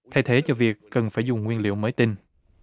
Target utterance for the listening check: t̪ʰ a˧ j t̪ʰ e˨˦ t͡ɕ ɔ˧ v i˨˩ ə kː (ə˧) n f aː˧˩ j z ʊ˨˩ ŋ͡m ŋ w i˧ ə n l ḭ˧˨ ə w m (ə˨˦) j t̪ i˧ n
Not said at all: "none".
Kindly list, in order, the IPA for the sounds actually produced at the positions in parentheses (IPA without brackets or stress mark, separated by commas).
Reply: ə˨˩, əː˨˦